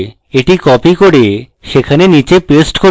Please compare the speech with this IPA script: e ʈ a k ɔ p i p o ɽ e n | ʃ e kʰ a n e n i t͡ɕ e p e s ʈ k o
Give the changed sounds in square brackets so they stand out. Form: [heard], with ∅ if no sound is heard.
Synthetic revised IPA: e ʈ [i] k ɔ p i [k] o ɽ e [∅] | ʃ e kʰ a n e n i t͡ɕ e p e s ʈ k o